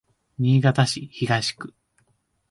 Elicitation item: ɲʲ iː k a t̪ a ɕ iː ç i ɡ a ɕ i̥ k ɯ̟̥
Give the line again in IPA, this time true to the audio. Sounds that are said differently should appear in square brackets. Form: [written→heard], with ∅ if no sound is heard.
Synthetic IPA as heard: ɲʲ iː [k→ɡ] a t̪ a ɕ [iː→i] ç i ɡ a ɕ i̥ k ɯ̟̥